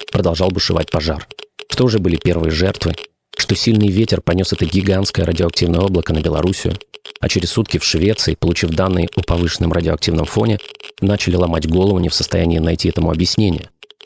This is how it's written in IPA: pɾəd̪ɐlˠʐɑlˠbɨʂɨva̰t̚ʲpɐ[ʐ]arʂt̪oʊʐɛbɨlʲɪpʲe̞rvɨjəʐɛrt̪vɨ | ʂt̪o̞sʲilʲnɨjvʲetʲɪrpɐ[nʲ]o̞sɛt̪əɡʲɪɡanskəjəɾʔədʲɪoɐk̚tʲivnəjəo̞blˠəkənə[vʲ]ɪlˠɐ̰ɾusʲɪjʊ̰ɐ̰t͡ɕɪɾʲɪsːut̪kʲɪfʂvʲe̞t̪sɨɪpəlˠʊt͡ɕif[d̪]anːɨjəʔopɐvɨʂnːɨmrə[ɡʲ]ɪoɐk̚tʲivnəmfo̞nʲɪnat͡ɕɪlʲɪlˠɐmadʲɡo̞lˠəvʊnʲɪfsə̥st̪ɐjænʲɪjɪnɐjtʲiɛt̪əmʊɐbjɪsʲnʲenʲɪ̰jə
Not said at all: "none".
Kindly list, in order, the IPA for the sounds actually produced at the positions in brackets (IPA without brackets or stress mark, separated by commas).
ʐ, nʲ, bʲ, d̪, dʲ